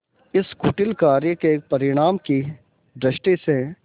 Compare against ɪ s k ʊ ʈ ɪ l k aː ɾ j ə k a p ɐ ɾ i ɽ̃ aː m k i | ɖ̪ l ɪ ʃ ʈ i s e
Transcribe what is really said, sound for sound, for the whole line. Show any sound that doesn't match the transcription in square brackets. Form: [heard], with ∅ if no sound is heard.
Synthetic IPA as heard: ɪ s k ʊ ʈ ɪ l k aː ɾ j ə k [e] p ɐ ɾ [ɪ] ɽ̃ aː m k i | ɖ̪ [ɾ] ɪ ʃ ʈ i s e